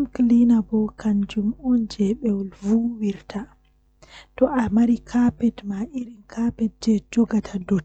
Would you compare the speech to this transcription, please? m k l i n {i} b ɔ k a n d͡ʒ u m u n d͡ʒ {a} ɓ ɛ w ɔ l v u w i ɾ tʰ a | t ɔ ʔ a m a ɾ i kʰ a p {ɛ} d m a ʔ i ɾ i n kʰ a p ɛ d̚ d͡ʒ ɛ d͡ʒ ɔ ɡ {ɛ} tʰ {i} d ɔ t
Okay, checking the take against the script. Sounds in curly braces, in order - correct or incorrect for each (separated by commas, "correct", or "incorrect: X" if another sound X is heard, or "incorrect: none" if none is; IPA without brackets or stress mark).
incorrect: a, incorrect: ɛ, correct, incorrect: a, incorrect: a